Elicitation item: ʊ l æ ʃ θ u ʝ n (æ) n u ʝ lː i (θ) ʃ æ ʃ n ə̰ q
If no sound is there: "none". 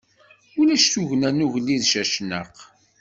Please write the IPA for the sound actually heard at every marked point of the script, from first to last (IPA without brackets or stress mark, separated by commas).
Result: æ, ð